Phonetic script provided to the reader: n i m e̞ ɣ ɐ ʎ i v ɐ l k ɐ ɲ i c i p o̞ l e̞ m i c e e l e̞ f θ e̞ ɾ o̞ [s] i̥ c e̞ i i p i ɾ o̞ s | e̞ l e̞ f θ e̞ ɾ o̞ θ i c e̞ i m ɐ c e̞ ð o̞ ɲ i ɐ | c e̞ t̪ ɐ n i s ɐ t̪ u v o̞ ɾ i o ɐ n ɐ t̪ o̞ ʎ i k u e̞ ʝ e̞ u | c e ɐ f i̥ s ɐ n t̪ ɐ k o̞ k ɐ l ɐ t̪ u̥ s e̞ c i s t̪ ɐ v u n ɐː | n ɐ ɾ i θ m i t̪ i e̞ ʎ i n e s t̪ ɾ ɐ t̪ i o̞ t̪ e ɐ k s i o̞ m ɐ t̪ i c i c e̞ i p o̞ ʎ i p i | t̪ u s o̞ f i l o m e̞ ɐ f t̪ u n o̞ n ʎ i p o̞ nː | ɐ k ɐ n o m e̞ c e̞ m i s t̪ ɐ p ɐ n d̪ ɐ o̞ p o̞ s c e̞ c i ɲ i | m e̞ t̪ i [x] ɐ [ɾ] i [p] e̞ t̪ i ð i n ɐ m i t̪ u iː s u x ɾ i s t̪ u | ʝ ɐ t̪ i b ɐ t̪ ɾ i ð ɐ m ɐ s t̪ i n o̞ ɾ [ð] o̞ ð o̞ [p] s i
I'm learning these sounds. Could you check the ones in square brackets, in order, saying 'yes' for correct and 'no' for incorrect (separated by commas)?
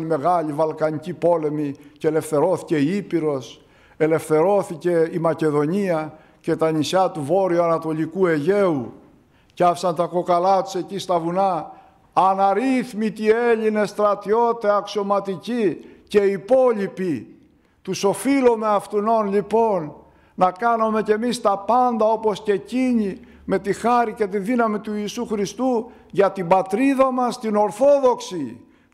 no, yes, yes, no, no, no